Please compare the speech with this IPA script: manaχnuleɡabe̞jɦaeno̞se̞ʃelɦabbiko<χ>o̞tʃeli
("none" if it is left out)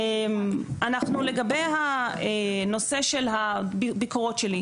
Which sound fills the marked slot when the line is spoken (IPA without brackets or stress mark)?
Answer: ʁ